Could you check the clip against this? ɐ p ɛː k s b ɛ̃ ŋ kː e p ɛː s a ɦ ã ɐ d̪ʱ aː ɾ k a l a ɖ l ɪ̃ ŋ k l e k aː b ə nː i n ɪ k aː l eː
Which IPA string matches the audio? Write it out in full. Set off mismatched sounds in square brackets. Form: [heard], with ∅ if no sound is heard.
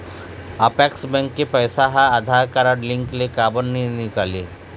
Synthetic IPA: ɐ p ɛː k s b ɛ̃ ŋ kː e p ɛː s a ɦ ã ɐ d̪ʱ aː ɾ k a [ɾ] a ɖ l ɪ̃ ŋ k l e k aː b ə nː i n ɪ k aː l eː